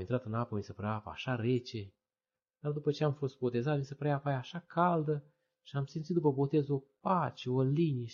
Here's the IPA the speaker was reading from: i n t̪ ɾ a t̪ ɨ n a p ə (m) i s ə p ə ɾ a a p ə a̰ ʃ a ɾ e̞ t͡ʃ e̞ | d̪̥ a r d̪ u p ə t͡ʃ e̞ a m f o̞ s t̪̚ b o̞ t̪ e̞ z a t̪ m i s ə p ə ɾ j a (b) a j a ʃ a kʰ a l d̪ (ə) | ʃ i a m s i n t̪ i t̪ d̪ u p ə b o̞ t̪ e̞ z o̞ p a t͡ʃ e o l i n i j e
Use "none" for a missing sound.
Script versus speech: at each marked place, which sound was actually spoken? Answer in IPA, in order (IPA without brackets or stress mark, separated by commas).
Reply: m, p, ə